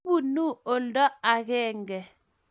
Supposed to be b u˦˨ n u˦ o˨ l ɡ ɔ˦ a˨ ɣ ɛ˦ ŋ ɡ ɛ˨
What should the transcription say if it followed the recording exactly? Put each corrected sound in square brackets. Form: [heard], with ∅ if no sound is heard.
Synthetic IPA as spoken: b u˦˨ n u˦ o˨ l [d] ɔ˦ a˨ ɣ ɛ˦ ŋ ɡ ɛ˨